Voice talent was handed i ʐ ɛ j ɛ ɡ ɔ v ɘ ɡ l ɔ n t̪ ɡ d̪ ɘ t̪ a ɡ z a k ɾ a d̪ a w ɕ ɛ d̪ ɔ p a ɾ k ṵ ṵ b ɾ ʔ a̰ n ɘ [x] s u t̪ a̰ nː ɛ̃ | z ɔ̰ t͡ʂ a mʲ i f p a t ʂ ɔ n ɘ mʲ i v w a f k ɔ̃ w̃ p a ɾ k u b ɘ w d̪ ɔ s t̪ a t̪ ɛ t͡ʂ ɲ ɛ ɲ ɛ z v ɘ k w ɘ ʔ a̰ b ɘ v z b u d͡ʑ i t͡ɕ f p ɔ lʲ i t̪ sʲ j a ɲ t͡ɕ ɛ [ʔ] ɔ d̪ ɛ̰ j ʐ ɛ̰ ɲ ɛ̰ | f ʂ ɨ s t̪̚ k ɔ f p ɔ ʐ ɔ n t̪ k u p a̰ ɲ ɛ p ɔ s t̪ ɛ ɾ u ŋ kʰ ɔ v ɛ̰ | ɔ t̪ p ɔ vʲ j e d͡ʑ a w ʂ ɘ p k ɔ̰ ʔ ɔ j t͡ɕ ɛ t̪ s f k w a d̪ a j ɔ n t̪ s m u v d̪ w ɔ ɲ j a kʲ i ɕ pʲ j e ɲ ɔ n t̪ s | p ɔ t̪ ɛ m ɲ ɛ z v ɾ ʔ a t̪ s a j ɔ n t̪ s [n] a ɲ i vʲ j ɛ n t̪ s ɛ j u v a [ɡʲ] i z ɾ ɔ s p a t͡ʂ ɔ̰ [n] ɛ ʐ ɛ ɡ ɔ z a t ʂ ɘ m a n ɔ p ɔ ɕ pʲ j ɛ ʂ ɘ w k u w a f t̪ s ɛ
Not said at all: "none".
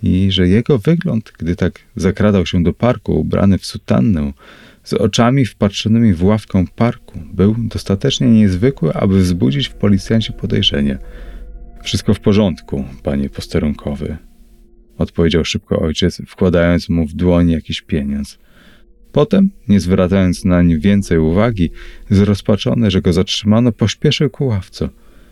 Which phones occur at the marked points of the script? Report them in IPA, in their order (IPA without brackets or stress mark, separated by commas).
f, p, n, ɡʲ, n